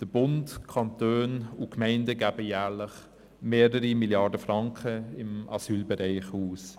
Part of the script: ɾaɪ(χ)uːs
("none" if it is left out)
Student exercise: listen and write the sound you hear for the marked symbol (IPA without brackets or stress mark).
χ